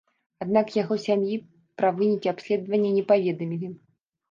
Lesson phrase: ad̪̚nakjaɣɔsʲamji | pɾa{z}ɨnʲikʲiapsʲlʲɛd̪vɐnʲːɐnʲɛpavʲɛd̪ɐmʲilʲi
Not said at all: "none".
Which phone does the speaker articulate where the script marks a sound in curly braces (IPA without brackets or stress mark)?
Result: v